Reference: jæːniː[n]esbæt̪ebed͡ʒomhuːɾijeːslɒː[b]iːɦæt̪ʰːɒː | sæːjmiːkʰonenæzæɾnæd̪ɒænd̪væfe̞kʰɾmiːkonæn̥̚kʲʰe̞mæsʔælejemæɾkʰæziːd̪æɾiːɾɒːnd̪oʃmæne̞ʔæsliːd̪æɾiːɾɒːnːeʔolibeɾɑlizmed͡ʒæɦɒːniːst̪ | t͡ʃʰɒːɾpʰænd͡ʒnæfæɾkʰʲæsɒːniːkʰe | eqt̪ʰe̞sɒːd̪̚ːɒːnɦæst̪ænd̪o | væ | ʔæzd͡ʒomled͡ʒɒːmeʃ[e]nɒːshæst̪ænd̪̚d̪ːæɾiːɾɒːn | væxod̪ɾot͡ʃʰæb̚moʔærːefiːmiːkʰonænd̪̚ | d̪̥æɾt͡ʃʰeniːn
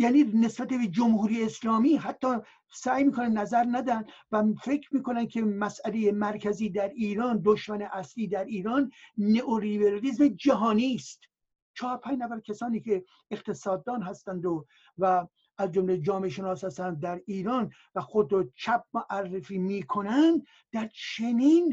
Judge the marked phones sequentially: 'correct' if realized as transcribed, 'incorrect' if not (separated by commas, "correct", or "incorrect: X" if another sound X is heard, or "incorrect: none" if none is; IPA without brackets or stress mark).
correct, incorrect: m, correct